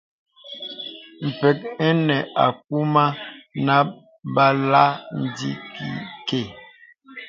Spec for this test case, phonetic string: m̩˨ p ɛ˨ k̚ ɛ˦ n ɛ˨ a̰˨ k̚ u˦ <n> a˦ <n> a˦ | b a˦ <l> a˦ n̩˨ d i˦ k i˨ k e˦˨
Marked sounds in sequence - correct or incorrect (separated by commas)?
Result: incorrect, correct, correct